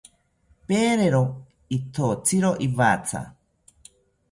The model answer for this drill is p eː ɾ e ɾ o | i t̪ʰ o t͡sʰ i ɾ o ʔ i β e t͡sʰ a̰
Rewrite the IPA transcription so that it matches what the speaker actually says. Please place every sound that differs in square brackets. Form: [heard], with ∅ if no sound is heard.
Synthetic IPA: p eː ɾ e ɾ o | i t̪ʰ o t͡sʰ i ɾ o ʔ i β [a] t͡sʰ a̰